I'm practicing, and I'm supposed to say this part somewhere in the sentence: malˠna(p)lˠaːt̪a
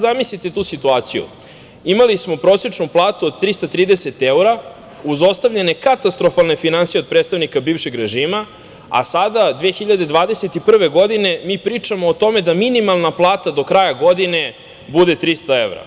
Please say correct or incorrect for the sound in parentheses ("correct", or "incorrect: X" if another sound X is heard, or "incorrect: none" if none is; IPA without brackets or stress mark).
correct